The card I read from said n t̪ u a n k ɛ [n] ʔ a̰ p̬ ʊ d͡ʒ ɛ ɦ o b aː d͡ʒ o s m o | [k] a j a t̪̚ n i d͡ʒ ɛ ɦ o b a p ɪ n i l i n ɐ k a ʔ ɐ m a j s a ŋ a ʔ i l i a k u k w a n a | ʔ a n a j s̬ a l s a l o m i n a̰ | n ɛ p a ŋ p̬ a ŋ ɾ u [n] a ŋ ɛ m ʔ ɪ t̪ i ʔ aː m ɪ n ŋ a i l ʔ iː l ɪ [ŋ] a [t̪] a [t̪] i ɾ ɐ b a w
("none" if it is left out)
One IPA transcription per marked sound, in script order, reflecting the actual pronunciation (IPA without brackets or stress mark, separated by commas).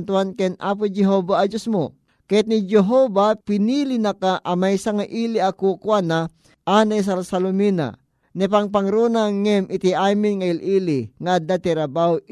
n, k, n, ŋ, d̪, t̪